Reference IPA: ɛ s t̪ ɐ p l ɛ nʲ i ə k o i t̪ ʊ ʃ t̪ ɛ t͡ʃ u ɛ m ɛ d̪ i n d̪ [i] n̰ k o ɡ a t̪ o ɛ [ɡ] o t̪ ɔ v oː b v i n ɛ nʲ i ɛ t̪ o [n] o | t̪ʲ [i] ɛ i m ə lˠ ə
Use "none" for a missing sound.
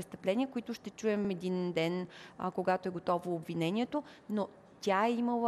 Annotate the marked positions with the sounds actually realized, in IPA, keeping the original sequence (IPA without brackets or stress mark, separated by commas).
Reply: ɛ, ɡ, n, a